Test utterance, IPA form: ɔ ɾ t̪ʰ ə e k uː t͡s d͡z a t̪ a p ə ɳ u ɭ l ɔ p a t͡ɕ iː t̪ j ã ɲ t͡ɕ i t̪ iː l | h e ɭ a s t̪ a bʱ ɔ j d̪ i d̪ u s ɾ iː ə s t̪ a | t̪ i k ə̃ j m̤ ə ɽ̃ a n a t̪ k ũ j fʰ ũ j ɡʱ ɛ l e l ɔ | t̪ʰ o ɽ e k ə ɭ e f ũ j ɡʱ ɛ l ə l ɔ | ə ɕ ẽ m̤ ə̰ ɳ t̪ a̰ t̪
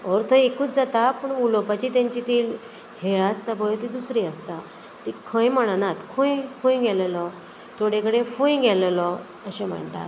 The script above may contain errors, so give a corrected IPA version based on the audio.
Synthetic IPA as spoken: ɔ ɾ t̪ʰ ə e k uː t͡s d͡z a t̪ a p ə ɳ u l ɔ p a t͡ɕ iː t̪ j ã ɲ t͡ɕ i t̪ iː l | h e ɭ a s t̪ a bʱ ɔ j t̪ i d̪ u s ɾ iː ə s t̪ a | t̪ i kʰ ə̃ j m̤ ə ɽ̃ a n a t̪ kʰ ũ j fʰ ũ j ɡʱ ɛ l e l ɔ | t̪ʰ o ɽ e k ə ɽ e f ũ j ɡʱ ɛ l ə l ɔ | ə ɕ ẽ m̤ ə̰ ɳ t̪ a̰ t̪